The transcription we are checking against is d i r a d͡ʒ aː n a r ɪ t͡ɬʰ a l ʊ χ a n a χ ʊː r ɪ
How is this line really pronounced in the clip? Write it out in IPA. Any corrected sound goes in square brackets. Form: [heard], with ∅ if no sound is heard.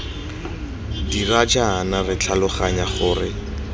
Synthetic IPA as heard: d i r a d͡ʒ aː n a r ɪ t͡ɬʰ a l ʊ χ a [ɲ] a χ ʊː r ɪ